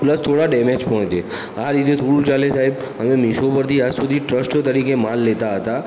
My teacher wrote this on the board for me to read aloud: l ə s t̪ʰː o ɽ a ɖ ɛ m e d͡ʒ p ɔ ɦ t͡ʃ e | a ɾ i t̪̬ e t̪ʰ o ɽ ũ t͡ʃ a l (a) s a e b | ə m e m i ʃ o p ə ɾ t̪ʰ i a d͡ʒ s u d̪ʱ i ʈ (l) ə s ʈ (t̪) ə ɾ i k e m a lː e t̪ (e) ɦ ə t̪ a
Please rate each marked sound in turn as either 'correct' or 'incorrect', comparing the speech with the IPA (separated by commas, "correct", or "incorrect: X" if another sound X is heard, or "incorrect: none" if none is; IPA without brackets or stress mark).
incorrect: e, incorrect: ɾ, correct, incorrect: a